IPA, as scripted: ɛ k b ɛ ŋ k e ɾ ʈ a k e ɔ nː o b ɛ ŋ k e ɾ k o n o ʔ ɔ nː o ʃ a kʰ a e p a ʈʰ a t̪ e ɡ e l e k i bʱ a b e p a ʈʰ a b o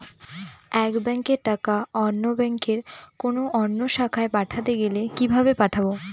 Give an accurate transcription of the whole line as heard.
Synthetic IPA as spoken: ɛ k b ɛ ŋ k e ɾ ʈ a k a ɔ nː o b ɛ ŋ k e ɾ k o n o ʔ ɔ nː o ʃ a kʰ a e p a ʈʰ a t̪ e ɡ e l e k i bʱ a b e p a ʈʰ a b o

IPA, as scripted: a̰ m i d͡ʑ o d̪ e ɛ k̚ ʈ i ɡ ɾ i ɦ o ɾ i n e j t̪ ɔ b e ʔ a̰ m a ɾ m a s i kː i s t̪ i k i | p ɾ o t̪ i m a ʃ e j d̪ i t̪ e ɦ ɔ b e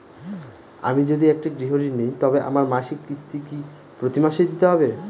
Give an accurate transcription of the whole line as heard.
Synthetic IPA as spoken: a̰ m i d͡ʑ o d̪ i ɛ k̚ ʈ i ɡ ɾ i ɦ o ɾ i n e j t̪ ɔ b e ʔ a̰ m a ɾ m a ʃ i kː i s t̪ i k i | p ɾ o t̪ i m a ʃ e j d̪ i t̪ e ɦ ɔ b e

